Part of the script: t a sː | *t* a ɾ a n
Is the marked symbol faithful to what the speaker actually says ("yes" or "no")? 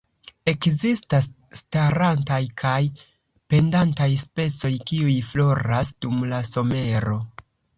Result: yes